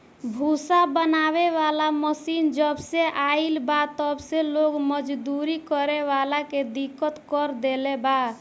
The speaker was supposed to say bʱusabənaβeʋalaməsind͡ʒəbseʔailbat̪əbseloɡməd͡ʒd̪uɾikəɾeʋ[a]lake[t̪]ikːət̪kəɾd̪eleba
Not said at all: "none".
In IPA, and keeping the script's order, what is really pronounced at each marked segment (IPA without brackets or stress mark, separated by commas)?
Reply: a, d̪